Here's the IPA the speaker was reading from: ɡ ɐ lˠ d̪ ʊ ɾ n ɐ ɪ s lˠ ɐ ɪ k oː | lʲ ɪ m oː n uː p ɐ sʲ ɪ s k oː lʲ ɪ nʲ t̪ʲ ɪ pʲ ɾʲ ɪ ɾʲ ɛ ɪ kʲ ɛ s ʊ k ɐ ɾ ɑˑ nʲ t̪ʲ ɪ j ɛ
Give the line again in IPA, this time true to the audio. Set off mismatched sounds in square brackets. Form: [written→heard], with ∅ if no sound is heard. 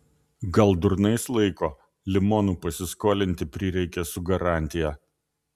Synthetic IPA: ɡ ɐ lˠ d̪ ʊ ɾ n ɐ ɪ s lˠ ɐ ɪ k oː | lʲ ɪ m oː n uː p ɐ sʲ ɪ s k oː lʲ ɪ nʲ t̪ʲ ɪ pʲ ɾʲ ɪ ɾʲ ɛ ɪ kʲ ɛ s ʊ [k→ɡ] ɐ ɾ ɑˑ nʲ t̪ʲ ɪ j ɛ